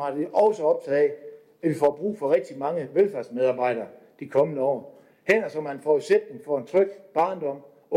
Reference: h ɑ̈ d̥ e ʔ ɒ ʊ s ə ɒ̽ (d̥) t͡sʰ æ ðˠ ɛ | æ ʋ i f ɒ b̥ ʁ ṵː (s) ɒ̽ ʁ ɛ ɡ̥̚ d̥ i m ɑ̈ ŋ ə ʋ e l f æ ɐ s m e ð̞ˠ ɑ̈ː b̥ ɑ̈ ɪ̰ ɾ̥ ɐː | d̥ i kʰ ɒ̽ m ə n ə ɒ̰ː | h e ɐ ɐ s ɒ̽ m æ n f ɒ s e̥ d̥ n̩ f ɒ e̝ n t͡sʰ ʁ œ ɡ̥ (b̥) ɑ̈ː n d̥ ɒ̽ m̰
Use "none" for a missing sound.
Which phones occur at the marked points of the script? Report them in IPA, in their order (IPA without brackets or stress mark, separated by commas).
b̥, f, b̥